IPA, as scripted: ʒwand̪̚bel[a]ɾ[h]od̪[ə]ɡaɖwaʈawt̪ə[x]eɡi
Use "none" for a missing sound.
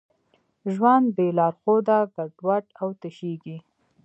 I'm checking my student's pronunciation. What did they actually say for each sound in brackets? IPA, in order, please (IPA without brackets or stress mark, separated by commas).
ɑ, x, a, ʃ